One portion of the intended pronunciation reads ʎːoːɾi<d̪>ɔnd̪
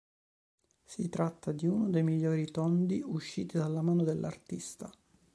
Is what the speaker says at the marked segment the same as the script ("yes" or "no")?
no